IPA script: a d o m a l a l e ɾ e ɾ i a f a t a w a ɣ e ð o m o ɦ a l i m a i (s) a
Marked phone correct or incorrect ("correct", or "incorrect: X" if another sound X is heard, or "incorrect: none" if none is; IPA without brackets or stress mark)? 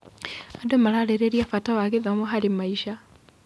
incorrect: ʃ